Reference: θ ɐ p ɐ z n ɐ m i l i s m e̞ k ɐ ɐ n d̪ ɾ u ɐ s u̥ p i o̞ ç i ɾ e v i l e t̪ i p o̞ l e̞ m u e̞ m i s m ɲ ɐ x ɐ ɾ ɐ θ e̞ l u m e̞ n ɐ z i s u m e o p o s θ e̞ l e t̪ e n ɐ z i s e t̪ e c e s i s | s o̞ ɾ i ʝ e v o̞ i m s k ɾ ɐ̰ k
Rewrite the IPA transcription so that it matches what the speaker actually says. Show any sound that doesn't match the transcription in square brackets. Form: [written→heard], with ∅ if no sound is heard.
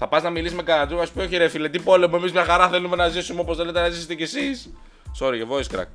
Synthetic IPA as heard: θ ɐ p ɐ z n ɐ m i l i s m e̞ k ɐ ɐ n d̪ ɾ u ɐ s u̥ p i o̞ ç i ɾ e [v→f] i l e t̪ i p o̞ l e̞ m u e̞ m i [s→z] m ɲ ɐ x ɐ ɾ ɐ θ e̞ l u m e̞ n ɐ z i s u m e o p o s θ e̞ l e t̪ e n ɐ z i s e t̪ e c e s i s | s o̞ ɾ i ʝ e v o̞ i [m→∅] s k ɾ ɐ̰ k